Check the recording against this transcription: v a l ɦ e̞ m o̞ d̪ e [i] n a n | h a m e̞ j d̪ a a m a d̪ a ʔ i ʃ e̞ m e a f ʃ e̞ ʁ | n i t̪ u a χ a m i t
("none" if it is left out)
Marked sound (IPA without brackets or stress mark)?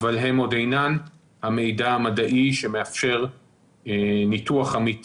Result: j